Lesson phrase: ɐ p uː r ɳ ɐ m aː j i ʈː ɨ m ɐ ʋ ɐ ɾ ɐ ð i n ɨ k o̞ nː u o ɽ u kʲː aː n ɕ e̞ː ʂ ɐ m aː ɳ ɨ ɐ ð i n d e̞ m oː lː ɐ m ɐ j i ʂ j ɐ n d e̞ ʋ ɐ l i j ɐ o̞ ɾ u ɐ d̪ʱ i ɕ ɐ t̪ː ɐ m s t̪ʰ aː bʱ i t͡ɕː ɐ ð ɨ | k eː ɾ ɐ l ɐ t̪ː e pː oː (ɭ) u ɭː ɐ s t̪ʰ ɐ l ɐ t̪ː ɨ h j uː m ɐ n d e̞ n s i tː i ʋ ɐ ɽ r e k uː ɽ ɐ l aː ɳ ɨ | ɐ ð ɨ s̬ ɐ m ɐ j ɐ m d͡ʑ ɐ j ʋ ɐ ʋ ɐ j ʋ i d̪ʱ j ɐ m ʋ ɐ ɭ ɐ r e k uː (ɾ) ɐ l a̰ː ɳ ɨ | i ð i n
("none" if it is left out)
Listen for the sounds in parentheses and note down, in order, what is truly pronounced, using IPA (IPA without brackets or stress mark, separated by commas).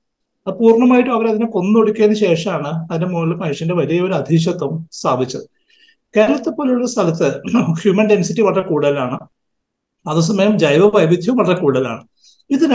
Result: l, ɽ